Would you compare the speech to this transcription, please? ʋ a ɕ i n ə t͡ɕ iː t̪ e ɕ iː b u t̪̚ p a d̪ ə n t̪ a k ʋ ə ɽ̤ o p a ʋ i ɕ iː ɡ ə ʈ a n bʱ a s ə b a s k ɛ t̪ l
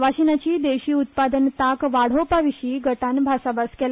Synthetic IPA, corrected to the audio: ʋ a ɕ i n a t͡ɕ iː d̪ e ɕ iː u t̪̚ p a d̪ ə n t̪ a k ʋ a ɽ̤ o p a ʋ i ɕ iː ɡ ə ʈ a n bʱ a s a b a s k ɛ l